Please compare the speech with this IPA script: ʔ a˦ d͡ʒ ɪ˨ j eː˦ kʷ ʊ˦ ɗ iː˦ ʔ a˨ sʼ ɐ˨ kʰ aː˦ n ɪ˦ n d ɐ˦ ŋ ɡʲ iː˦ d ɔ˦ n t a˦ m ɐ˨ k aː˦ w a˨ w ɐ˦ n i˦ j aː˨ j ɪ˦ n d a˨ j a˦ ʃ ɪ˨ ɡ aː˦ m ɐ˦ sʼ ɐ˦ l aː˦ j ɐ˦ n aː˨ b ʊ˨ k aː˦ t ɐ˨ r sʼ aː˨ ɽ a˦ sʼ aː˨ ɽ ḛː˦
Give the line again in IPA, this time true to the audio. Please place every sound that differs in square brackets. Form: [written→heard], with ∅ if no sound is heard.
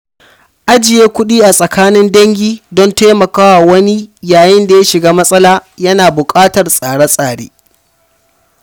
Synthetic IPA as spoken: ʔ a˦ d͡ʒ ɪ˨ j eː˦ kʷ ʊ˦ ɗ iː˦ ʔ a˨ sʼ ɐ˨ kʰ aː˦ n ɪ˦ n d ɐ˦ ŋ ɡʲ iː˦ d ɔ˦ n t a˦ m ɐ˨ k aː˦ w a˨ w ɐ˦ n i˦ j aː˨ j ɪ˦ n d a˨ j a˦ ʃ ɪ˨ ɡ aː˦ m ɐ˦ sʼ ɐ˦ l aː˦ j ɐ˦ n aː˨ b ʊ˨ [k→kʼ] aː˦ t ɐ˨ r sʼ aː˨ ɽ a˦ sʼ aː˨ ɽ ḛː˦